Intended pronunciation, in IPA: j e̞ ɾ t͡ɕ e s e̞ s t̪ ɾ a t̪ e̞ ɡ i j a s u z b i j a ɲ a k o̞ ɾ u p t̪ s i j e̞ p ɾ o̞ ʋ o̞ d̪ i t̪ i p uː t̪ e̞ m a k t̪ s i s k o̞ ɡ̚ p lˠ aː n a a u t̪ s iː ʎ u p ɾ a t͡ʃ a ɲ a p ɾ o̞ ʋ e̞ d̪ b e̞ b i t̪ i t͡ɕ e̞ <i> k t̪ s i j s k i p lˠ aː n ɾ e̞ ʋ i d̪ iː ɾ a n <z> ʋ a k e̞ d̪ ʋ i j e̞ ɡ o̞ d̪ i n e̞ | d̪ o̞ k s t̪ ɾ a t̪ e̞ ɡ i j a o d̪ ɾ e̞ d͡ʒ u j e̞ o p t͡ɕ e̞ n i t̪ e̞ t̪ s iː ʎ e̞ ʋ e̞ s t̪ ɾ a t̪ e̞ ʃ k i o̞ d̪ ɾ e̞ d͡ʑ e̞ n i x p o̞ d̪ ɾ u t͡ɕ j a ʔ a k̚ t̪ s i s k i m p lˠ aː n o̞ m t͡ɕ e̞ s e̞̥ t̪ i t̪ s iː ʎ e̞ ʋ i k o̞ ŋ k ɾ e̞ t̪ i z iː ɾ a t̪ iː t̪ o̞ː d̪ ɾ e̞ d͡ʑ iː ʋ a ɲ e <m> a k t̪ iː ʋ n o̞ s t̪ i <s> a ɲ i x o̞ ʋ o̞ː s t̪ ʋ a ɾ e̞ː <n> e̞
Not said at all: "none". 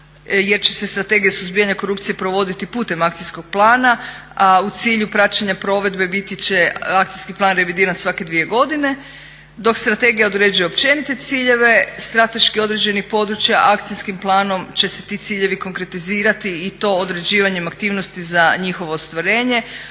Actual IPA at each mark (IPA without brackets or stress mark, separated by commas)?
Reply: a, s, m, z, ɲ